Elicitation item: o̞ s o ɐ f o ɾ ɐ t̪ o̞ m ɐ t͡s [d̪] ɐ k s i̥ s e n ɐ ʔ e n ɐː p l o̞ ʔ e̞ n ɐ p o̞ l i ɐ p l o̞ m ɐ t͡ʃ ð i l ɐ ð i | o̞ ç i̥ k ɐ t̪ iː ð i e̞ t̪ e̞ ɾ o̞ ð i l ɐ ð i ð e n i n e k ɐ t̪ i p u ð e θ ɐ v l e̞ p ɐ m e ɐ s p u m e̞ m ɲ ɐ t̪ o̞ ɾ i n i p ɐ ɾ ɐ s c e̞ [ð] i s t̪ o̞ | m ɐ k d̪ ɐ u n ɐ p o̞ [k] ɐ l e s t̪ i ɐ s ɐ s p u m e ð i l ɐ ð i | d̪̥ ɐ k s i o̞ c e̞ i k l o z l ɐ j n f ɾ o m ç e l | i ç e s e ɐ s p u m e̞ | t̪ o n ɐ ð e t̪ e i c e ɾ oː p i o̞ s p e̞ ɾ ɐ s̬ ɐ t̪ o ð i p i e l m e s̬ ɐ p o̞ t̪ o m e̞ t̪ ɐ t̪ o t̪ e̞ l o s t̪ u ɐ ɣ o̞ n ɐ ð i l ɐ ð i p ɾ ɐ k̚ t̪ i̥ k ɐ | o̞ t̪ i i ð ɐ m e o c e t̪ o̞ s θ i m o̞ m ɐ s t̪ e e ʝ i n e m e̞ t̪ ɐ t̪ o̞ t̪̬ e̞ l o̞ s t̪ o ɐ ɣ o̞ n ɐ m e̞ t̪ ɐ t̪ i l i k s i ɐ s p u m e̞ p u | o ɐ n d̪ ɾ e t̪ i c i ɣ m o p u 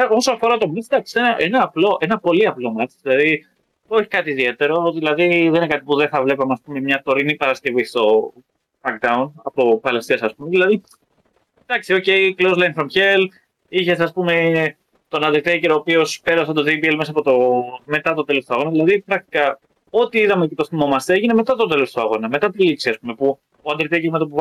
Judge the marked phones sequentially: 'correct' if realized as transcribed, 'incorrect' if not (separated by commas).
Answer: correct, incorrect, incorrect